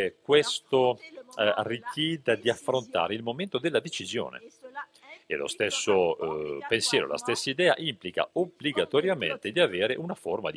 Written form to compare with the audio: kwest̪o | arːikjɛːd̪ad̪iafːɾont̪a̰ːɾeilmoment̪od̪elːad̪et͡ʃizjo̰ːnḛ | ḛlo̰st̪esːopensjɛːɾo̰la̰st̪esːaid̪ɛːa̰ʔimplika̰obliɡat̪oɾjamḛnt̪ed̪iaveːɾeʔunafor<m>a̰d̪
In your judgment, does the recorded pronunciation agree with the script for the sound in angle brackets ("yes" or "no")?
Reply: yes